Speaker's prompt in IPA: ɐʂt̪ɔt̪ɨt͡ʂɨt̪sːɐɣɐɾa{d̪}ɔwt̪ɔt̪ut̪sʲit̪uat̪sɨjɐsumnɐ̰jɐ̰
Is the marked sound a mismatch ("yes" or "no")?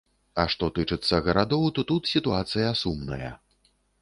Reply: no